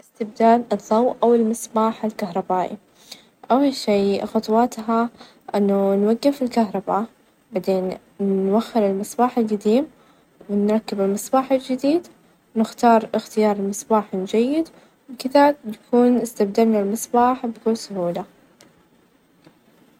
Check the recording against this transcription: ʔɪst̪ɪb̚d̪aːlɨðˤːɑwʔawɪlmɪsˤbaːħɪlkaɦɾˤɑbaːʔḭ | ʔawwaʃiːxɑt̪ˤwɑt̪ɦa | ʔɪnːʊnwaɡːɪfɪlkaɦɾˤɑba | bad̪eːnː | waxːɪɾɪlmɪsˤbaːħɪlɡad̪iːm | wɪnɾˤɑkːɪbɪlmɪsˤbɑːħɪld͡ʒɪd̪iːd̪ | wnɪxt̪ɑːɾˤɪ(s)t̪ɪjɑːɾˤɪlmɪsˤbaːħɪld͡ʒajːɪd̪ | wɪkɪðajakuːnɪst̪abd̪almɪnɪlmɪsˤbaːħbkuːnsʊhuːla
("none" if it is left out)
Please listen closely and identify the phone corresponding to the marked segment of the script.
x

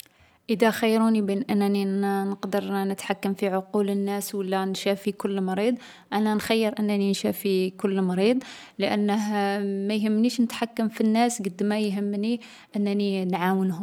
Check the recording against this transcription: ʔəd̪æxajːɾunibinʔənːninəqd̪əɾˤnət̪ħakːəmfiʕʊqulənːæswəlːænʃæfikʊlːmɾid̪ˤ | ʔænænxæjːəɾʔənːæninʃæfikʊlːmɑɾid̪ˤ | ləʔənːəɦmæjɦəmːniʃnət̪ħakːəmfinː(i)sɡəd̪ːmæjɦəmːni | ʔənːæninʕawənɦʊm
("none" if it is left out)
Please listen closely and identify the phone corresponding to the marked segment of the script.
æ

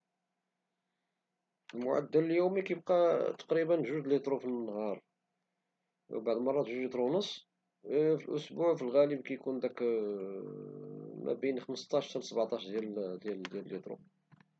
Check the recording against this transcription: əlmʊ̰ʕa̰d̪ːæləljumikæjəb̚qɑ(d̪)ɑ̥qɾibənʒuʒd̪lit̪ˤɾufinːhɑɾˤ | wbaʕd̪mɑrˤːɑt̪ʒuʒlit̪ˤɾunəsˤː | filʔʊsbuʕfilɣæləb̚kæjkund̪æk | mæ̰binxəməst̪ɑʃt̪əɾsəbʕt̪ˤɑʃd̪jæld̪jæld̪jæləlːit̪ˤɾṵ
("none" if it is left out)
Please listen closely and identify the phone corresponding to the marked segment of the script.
t̪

